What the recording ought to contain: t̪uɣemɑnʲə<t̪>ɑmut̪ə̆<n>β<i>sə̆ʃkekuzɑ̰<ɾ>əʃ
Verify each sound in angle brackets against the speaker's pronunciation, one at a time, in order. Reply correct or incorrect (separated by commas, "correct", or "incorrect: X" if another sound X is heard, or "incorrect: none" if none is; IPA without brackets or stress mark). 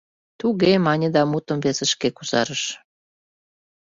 incorrect: d̪, incorrect: m, incorrect: e, correct